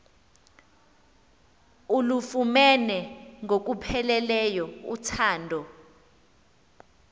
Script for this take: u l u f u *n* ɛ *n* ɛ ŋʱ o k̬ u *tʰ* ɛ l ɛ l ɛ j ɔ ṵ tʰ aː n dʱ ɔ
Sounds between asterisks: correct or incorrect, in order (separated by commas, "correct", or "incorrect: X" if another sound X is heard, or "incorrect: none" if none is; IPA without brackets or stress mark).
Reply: incorrect: m, correct, incorrect: pʰ